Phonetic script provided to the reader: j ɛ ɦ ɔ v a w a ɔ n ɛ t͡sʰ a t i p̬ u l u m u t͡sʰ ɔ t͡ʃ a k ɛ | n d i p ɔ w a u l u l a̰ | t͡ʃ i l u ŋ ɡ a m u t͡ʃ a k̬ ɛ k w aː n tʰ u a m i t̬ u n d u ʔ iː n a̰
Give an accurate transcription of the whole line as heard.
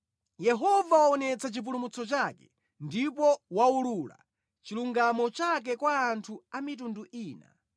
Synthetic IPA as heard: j ɛ ɦ ɔ v a w a ɔ n ɛ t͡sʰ a t͡ʃ i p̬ u l u m u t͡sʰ ɔ t͡ʃ a k ɛ | n d i p ɔ w a u l u l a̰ | t͡ʃ i l u ŋ ɡ a m ɔ t͡ʃ a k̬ ɛ k w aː n tʰ u a m i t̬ u n d u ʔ iː n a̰